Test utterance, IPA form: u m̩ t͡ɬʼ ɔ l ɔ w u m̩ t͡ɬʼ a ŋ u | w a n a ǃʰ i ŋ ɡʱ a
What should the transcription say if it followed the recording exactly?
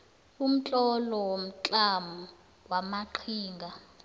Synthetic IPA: u m̩ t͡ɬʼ ɔ l ɔ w o m̩ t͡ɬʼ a m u | w a m a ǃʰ iː ŋ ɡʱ a